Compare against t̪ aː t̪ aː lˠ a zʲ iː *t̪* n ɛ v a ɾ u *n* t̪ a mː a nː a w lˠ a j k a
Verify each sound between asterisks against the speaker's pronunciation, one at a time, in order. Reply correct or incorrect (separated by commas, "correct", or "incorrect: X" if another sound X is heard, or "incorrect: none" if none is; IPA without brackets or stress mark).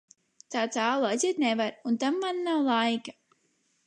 correct, correct